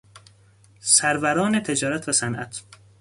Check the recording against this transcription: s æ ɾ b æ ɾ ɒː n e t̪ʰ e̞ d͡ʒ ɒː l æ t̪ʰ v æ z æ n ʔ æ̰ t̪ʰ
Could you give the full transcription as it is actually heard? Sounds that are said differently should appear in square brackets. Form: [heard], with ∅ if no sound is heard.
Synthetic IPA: s æ ɾ [v] æ ɾ ɒː n e t̪ʰ e̞ d͡ʒ ɒː [ɾ] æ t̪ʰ v æ [s] æ n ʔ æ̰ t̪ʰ